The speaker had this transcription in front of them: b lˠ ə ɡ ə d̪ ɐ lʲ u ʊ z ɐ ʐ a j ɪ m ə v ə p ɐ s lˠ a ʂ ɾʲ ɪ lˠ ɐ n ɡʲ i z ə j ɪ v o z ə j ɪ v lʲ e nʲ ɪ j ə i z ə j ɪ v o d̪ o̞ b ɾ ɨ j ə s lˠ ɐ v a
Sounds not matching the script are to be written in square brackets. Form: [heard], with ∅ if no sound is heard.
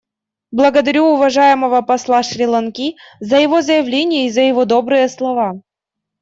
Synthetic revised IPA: b lˠ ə ɡ ə d̪ ɐ [ɾʲ] u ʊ [v] ɐ ʐ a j ɪ m ə v ə p ɐ s lˠ a ʂ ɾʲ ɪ lˠ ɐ n [kʲ] i z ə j ɪ v o z ə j ɪ v lʲ e nʲ ɪ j ə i z ə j ɪ v o d̪ o̞ b ɾ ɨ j ə s lˠ ɐ v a